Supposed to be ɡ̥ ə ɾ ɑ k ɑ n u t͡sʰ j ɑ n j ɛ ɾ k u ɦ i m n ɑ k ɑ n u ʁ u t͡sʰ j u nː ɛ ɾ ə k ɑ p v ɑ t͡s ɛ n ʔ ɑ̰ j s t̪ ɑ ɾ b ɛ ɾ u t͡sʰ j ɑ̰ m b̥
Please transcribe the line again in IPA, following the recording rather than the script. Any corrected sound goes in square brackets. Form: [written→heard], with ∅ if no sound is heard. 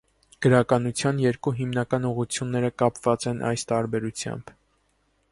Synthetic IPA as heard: ɡ̥ ə ɾ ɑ k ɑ n u t͡sʰ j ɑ n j ɛ ɾ k u ɦ i m n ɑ k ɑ n u ʁ u t͡sʰ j u nː ɛ ɾ ə k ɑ p v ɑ t͡s ɛ n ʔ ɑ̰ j s t̪ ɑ ɾ b ɛ ɾ u t͡sʰ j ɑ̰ m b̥